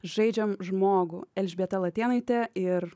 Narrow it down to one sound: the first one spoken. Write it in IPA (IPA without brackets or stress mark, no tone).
ʒ